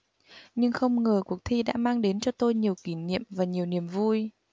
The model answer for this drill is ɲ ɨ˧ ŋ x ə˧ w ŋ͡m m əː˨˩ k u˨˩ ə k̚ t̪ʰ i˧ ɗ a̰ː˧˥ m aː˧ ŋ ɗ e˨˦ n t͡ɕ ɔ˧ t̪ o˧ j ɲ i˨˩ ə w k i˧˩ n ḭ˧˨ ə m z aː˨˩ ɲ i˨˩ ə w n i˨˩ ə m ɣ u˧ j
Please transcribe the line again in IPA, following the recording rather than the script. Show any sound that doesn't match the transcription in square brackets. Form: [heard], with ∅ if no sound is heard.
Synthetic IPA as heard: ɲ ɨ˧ ŋ x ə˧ w ŋ͡m [ŋ] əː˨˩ k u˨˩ ə k̚ t̪ʰ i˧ ɗ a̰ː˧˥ m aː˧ ŋ ɗ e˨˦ n t͡ɕ ɔ˧ t̪ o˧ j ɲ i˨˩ ə w k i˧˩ n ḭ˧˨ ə m [v] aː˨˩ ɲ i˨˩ ə w n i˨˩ ə m [v] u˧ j